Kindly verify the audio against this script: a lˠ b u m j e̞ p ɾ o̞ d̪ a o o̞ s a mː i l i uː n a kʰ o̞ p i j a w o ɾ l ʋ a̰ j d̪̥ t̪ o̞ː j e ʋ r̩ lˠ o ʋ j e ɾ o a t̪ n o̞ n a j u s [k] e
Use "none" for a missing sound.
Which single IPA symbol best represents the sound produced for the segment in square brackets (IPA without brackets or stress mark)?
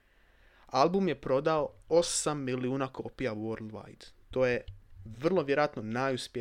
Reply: p